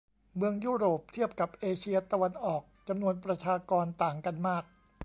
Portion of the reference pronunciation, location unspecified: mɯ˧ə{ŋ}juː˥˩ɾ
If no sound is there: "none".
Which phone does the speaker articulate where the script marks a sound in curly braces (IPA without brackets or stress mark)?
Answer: ŋ